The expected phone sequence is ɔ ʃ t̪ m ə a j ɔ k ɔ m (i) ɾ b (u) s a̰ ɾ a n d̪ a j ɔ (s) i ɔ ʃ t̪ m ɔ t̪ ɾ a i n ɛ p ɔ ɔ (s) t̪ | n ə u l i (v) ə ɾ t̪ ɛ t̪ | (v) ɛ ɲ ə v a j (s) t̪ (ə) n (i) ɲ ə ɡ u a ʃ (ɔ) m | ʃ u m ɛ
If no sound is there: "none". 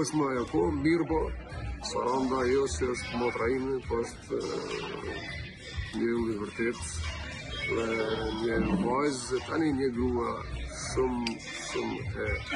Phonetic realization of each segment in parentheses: i, ɔ, s, ʃ, v, ð, z, a, i, u

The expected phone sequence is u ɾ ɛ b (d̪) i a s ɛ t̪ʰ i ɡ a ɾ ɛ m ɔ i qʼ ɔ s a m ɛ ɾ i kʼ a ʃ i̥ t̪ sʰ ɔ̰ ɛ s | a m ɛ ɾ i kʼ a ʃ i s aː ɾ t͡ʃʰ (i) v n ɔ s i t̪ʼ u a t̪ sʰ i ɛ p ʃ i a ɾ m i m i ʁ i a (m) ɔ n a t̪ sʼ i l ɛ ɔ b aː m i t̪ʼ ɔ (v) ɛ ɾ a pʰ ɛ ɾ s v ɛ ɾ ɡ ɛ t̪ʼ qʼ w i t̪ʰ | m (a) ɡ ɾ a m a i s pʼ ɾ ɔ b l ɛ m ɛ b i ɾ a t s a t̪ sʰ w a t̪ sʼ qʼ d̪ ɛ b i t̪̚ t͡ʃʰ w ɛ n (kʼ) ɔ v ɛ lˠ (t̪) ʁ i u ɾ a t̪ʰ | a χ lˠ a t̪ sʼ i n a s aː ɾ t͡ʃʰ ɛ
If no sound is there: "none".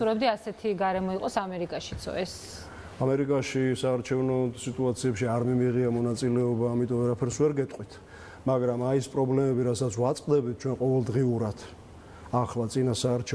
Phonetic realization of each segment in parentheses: d̪, ɛ, m, v, a, qʼ, d̪

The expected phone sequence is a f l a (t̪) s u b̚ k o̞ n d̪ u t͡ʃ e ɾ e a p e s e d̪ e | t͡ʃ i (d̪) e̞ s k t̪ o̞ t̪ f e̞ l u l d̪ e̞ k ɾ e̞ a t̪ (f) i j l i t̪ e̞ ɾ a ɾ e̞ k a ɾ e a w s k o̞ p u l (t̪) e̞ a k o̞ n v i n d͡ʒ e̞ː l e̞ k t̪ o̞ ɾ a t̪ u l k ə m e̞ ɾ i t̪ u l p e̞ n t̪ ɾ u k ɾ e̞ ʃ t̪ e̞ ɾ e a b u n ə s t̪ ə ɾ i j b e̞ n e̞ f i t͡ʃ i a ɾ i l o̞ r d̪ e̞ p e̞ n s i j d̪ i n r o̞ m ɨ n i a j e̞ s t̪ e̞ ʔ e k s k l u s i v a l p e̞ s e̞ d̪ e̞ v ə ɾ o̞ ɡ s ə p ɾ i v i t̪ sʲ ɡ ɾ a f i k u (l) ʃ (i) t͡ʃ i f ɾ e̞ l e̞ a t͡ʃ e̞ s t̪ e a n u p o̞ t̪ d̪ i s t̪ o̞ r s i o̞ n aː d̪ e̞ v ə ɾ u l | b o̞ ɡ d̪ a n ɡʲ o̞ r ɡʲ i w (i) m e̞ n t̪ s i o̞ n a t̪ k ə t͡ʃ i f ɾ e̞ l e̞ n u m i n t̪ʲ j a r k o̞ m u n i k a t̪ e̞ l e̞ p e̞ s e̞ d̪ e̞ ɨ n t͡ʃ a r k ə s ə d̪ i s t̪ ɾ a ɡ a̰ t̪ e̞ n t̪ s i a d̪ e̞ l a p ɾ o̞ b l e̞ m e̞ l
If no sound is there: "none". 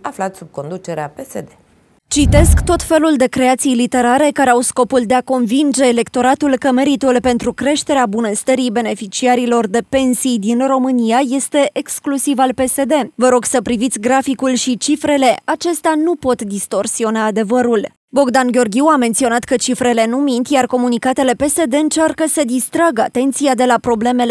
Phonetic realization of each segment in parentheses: t̪, t̪, s, d̪, l, i, a

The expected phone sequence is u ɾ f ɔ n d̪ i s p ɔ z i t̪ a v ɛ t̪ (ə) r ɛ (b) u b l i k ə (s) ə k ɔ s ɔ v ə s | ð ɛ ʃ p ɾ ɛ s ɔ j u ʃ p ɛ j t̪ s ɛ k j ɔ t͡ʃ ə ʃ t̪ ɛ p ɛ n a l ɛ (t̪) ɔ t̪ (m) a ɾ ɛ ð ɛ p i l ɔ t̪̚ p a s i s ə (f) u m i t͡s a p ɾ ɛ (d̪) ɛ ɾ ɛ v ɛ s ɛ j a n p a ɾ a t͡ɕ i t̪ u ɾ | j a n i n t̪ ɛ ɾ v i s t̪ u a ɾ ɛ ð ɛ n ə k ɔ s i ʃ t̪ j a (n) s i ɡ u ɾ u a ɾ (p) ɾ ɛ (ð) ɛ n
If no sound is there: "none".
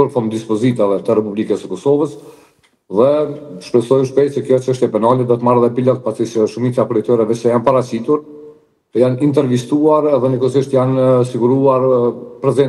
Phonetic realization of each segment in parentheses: ə, p, s, d̪, m, ʃ, t̪, n, p, z

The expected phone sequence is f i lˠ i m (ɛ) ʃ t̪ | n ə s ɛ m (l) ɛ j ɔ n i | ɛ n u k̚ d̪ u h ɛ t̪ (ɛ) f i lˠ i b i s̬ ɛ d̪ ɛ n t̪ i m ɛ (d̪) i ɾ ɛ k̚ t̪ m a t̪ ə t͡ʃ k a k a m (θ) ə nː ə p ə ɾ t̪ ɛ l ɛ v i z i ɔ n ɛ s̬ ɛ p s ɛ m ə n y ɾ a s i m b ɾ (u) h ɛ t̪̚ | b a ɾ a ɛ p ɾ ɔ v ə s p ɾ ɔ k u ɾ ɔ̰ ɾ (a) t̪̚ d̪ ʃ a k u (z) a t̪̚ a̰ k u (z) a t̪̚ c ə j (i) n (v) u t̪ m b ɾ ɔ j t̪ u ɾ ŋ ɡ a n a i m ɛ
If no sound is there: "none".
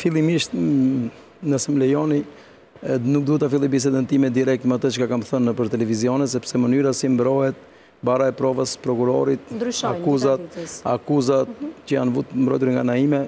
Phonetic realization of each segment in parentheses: i, l, a, d̪, θ, ɔ, i, z, z, a, v

